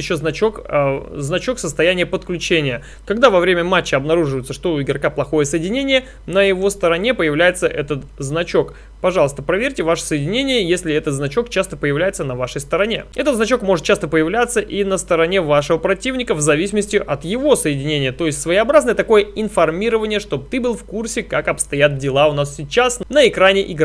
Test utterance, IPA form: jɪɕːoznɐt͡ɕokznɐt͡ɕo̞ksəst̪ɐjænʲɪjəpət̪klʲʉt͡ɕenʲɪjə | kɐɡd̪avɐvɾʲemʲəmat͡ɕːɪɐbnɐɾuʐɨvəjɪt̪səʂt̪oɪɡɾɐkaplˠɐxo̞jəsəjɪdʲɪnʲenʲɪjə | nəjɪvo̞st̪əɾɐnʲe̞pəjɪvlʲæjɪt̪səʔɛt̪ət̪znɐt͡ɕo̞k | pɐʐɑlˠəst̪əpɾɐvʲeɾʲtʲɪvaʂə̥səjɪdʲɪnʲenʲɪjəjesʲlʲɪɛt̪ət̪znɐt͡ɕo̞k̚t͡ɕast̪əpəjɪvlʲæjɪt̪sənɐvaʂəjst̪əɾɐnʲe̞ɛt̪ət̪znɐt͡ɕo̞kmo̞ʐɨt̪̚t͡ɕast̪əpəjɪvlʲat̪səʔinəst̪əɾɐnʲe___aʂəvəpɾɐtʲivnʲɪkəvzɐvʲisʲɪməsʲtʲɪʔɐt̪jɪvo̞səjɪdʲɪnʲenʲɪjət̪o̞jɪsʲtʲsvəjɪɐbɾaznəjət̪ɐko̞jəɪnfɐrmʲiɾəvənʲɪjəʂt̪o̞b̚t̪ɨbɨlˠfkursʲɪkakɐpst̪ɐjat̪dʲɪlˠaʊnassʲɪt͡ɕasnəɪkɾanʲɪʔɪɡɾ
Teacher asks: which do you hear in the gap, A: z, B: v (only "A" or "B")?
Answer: B